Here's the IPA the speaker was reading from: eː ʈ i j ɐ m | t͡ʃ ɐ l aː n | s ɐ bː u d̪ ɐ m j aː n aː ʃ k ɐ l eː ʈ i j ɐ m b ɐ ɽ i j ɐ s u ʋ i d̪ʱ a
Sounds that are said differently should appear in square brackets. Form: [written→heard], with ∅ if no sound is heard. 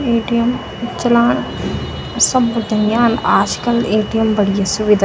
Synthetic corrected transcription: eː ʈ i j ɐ m | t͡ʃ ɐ l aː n | s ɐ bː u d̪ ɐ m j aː n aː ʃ k ɐ l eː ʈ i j ɐ m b ɐ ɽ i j ɐ s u ʋ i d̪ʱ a